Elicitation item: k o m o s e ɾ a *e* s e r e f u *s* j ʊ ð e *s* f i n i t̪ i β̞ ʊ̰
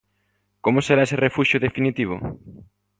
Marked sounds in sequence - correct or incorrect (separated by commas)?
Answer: correct, incorrect, incorrect